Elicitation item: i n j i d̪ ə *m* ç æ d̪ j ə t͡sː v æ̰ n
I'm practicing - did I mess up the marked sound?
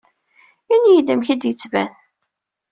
no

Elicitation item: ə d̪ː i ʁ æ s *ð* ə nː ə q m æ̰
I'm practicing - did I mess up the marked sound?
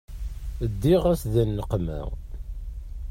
no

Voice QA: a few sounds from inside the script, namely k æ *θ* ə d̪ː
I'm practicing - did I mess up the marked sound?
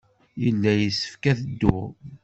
no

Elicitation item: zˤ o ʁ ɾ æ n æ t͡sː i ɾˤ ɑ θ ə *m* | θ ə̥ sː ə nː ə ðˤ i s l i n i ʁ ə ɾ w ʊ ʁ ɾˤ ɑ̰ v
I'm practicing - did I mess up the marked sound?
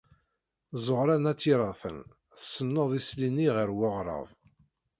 yes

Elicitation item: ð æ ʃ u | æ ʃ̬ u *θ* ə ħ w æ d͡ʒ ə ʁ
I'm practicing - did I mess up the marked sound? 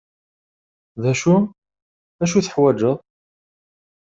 no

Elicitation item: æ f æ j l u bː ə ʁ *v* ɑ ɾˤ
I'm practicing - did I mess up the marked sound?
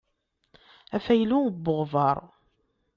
no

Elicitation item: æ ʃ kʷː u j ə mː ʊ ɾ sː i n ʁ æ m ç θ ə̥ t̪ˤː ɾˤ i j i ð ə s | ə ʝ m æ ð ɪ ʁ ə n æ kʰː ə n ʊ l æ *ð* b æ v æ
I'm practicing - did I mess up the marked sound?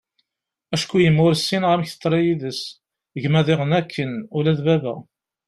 no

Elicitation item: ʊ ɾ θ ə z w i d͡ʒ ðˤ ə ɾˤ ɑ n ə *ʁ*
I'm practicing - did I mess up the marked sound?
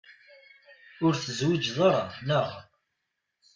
no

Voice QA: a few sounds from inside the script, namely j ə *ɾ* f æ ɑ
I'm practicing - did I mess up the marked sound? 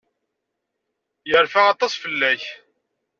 no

